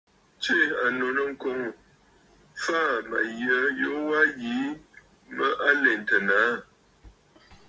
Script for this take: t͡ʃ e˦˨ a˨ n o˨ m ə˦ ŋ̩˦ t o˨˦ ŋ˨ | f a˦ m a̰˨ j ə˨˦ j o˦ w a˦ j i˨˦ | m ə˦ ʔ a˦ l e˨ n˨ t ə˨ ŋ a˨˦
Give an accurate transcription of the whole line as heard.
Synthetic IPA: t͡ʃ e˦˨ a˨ n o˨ n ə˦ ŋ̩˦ k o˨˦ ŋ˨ | f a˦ m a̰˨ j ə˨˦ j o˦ w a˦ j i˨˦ | m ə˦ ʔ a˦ l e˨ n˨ t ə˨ n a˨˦